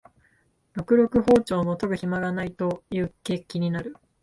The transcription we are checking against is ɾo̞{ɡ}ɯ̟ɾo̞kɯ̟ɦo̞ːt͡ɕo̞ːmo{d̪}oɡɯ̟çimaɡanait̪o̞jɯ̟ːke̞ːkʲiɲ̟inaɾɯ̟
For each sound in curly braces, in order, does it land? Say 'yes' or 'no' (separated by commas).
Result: no, no